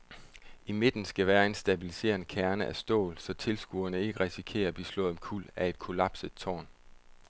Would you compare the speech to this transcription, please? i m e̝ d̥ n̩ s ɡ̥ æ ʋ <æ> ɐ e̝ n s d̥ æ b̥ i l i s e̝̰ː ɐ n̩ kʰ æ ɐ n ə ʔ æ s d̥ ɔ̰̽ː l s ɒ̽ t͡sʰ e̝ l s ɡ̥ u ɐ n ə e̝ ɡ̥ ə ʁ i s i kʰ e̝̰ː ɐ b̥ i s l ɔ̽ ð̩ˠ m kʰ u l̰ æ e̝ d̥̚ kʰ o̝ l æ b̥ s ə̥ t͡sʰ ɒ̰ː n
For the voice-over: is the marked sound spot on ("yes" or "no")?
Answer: no